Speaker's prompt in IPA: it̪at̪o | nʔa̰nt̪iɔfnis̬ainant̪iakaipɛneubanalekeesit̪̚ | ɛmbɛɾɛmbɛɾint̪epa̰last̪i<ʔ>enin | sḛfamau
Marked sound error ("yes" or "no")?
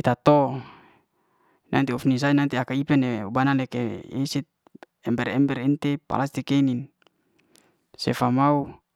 yes